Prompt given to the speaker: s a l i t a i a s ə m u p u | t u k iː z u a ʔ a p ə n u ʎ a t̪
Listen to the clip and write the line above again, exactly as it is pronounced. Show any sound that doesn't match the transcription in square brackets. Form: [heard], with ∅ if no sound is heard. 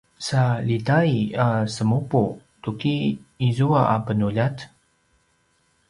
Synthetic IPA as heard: s a l i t a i a s ə m u p u | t u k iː z u a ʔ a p ə n u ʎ a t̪